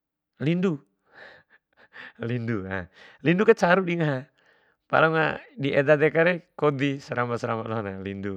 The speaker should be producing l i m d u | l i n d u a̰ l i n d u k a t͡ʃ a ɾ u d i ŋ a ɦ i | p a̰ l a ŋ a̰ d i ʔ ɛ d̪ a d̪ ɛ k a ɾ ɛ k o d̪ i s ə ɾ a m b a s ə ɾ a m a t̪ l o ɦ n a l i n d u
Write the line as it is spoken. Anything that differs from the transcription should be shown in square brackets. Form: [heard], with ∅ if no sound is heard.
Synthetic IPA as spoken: l i [n] d u | l i n d u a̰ l i n d u k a t͡ʃ a ɾ u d i ŋ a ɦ [a] | p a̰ l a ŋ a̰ d i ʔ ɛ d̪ a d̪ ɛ k a ɾ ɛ k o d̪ i s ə ɾ a m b a s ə ɾ a m a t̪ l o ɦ n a l i n d u